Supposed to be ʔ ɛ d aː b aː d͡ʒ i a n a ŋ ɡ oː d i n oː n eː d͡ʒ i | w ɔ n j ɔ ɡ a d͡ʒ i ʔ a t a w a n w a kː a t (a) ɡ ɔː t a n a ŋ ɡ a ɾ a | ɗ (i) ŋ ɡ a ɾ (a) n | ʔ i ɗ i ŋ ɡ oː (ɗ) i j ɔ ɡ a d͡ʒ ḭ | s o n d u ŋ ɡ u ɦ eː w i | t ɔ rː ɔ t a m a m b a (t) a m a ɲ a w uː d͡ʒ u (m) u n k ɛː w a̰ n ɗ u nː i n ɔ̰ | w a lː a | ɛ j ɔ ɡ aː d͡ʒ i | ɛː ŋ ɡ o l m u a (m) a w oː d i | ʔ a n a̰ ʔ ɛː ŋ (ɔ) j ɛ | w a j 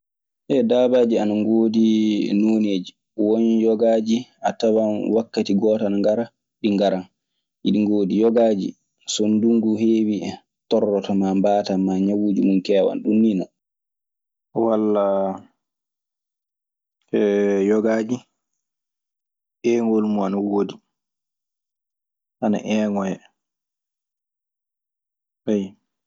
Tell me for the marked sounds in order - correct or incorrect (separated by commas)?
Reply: incorrect, correct, correct, incorrect, correct, correct, incorrect, correct